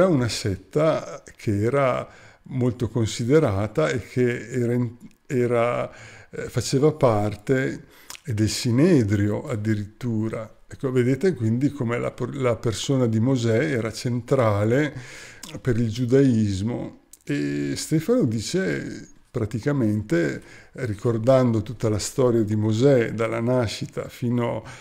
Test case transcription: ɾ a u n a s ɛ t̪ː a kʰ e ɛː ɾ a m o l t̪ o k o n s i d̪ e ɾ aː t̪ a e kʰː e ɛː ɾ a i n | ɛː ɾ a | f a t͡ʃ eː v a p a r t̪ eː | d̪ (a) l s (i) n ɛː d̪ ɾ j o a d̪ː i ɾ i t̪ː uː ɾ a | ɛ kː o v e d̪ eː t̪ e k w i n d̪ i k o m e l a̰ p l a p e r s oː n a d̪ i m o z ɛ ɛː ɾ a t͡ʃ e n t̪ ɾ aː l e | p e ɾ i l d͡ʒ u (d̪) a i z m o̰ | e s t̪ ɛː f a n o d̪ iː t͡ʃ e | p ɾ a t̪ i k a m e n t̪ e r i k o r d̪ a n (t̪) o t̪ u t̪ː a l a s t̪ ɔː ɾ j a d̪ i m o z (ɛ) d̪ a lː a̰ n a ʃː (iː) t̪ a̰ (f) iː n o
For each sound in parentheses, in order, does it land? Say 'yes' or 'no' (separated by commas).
no, yes, yes, no, yes, no, yes